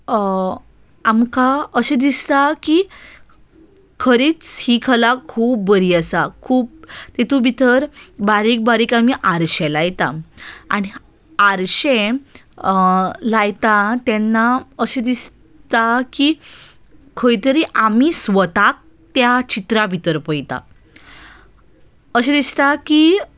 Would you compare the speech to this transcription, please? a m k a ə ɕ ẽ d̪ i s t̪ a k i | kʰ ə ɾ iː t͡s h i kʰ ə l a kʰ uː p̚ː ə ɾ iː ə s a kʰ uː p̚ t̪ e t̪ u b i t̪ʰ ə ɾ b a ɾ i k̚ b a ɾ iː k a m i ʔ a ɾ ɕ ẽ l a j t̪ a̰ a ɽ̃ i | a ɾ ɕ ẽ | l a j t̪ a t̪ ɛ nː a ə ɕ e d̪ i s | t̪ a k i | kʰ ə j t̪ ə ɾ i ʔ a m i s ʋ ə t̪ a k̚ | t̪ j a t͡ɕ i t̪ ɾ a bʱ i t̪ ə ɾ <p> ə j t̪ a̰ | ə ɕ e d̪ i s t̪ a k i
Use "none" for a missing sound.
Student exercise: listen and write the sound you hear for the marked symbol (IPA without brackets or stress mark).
p